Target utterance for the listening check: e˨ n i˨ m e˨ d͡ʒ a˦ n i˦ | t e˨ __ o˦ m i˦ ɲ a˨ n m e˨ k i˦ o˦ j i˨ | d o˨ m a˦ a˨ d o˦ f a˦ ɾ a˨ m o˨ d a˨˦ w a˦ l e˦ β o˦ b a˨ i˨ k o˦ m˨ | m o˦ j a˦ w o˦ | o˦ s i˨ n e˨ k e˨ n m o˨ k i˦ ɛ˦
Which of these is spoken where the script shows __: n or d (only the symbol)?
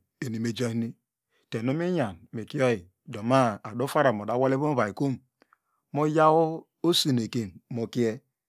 n